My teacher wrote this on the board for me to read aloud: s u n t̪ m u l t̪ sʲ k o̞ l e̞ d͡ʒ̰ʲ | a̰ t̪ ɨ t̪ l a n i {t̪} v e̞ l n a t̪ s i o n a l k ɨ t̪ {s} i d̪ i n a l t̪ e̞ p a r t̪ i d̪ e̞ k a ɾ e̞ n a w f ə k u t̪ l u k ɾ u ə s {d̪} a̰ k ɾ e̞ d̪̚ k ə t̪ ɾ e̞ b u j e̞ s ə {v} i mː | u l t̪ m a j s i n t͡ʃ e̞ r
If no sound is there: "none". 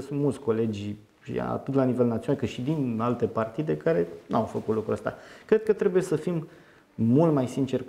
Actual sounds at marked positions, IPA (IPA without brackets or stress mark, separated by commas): none, ʃ, t̪, f